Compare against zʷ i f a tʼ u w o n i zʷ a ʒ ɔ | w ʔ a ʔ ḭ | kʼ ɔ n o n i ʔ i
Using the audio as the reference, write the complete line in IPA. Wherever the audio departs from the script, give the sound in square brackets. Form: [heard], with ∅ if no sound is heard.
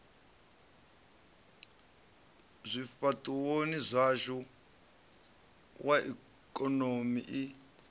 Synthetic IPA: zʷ i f a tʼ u w o n i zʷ a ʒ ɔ | w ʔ a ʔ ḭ | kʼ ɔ n o [m] i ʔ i